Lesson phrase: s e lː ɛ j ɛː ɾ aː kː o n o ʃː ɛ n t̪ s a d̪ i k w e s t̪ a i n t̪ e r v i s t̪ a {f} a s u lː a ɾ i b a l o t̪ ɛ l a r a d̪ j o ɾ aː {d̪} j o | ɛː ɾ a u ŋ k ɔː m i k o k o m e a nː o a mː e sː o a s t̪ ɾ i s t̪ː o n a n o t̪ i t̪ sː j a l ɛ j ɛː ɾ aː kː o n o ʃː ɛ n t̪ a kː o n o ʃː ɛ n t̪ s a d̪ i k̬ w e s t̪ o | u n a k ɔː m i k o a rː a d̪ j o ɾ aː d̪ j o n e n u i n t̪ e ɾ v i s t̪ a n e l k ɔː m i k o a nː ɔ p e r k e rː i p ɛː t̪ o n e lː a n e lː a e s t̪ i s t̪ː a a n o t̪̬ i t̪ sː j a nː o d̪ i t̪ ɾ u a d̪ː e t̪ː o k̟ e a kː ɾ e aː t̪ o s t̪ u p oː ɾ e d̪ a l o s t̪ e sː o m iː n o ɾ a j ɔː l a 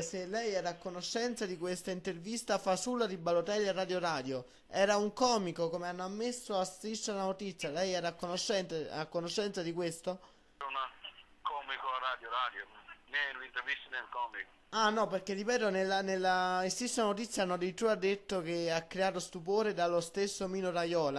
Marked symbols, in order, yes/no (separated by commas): yes, yes